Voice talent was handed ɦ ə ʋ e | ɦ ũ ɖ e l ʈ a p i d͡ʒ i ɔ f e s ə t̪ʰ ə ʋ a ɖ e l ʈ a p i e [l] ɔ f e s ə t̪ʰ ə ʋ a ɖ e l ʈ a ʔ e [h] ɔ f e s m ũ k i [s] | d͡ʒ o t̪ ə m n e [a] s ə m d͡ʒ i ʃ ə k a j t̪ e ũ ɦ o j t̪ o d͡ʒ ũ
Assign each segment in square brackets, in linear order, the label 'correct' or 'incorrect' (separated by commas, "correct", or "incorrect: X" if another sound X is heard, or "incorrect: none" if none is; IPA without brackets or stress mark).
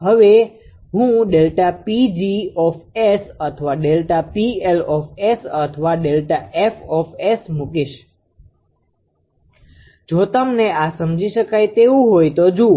correct, incorrect: f, incorrect: ʃ, correct